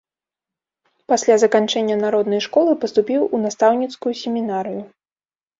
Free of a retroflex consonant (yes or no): no